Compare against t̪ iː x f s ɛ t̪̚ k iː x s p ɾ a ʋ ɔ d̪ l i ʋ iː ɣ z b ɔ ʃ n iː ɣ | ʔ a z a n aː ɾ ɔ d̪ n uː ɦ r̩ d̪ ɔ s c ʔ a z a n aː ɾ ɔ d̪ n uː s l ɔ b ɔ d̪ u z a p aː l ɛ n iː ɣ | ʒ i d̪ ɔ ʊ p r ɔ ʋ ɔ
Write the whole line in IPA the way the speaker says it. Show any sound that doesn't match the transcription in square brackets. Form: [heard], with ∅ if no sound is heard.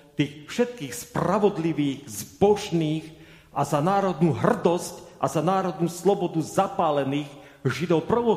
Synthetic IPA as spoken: t̪ iː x f [ʃ] ɛ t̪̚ k iː x s p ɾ a ʋ ɔ d̪ l i ʋ iː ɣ z b ɔ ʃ n iː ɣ | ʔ a z a n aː ɾ ɔ d̪ n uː ɦ r̩ d̪ ɔ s c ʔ a z a n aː ɾ ɔ d̪ n uː s l ɔ b ɔ d̪ u z a p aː l ɛ n iː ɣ | ʒ i d̪ ɔ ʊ p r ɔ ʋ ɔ